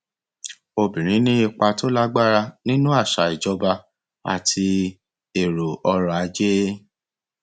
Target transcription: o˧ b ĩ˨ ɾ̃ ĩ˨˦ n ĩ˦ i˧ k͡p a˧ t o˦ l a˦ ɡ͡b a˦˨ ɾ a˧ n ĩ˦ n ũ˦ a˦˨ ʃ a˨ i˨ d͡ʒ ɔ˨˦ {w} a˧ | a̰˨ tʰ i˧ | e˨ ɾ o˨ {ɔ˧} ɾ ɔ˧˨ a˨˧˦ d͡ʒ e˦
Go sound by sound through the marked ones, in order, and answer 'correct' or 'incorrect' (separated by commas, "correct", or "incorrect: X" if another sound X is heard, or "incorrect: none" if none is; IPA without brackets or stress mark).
incorrect: b, correct